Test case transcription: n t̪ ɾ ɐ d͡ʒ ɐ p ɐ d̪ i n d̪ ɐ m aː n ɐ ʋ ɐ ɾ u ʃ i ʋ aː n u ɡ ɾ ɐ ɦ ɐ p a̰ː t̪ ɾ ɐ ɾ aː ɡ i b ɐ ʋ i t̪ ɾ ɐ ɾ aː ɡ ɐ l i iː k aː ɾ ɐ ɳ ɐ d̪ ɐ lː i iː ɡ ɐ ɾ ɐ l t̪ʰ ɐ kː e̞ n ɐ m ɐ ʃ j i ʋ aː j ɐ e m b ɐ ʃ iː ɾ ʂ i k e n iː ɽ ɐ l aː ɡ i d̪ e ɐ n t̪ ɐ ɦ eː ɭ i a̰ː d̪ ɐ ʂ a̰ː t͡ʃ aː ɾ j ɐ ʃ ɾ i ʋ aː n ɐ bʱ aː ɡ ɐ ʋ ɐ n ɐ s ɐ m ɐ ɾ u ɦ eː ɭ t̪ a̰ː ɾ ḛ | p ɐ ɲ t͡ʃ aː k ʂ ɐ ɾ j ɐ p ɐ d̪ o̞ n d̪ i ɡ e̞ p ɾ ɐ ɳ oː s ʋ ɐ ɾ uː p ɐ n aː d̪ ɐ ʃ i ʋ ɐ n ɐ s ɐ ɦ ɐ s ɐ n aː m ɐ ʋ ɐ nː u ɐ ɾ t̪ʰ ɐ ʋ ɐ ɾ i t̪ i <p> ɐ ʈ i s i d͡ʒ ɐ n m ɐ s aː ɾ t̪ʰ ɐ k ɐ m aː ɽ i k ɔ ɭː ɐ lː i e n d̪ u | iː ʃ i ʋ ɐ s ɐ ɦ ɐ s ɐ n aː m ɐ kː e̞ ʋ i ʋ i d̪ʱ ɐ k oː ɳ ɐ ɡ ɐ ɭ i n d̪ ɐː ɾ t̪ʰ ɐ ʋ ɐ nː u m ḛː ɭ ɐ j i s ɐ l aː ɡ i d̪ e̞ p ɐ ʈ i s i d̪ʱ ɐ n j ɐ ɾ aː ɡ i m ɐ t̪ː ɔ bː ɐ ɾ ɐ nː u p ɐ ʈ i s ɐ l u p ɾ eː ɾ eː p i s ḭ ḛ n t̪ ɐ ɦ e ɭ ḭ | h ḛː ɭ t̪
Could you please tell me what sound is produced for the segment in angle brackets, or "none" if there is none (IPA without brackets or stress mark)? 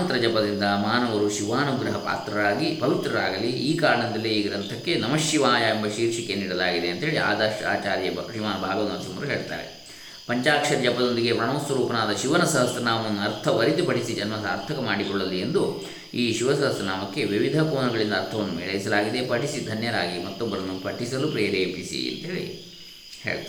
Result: p